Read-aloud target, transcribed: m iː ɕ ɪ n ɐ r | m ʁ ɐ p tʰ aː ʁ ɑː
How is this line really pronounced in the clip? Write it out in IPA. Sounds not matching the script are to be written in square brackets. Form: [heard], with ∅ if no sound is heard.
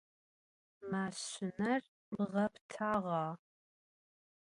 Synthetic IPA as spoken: m [aː] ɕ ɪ n ɐ r | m ʁ ɐ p tʰ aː ʁ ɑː